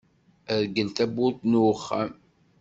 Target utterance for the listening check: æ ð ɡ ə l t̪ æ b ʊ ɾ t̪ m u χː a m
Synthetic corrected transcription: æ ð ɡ ə l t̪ æ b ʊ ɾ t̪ n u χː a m